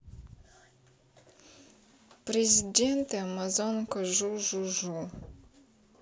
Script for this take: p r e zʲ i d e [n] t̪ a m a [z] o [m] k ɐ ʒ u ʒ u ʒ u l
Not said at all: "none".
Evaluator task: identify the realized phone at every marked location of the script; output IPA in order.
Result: n, z, n

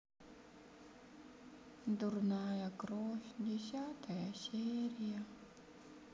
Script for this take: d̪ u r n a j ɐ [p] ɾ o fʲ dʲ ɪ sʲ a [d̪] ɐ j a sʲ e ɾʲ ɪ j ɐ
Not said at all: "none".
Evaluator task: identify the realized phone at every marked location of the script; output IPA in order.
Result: k, t̪

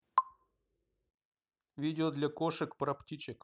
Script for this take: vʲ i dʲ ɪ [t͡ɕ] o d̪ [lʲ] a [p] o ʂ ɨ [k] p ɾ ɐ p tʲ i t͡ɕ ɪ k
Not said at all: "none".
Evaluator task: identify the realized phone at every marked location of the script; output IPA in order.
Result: none, lʲ, k, k

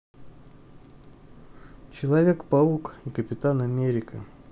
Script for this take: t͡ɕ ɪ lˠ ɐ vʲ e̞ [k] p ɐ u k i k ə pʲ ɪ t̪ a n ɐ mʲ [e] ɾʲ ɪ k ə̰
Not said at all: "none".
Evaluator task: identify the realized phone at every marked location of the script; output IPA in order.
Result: k, e

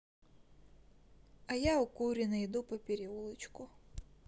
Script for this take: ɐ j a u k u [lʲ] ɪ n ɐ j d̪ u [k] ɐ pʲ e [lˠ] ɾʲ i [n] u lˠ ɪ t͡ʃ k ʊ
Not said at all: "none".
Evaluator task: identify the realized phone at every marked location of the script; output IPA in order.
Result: ɾʲ, p, none, none

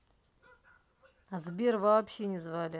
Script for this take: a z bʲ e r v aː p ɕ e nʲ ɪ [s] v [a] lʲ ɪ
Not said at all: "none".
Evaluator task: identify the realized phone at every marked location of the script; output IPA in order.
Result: z, a

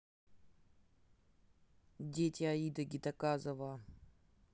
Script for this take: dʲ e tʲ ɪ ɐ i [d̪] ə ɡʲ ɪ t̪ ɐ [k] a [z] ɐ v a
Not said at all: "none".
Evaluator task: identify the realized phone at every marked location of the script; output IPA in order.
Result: d̪, k, z

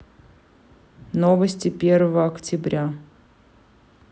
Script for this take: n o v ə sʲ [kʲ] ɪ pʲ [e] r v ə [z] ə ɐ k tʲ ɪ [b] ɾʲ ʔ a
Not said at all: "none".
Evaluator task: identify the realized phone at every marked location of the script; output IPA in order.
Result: tʲ, e, v, b

